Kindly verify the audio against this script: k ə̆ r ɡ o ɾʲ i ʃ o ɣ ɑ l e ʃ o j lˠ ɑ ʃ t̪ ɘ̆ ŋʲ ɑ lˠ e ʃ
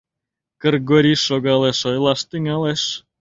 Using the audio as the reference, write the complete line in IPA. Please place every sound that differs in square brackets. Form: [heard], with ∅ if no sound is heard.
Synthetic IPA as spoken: k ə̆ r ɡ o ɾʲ i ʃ o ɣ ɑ l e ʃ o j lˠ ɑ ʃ t̪ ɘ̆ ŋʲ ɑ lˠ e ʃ